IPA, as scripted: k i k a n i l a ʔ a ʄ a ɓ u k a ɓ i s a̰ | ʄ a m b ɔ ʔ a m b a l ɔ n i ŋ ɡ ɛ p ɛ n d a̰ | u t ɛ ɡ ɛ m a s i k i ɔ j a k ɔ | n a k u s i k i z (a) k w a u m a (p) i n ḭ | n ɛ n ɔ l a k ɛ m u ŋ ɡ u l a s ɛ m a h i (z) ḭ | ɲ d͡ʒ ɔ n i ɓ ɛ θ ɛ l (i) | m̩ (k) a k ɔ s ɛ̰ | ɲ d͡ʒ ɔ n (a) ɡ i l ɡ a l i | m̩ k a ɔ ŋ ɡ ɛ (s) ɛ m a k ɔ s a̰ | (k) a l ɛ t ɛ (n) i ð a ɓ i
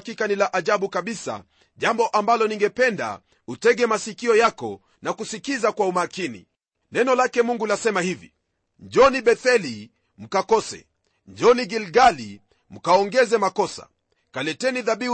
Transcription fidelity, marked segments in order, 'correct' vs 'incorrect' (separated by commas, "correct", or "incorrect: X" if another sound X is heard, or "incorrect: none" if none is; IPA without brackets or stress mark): correct, incorrect: k, incorrect: v, correct, correct, incorrect: i, incorrect: z, correct, correct